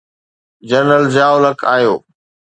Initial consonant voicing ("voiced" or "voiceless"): voiced